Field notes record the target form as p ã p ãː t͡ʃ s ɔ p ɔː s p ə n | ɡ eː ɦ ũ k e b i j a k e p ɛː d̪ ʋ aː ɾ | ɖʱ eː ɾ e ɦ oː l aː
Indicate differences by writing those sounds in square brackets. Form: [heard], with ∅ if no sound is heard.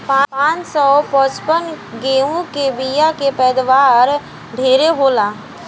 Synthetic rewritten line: p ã p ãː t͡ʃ s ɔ p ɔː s p ə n | ɡ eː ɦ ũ k e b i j a k e p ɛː d̪ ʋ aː ɾ | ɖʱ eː ɾ e ɦ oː l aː